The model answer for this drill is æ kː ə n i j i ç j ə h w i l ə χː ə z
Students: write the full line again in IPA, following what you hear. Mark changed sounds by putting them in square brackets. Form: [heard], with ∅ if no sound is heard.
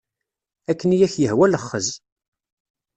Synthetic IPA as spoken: æ kː ə n i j [æ] ç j ə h w [æ] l ə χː ə z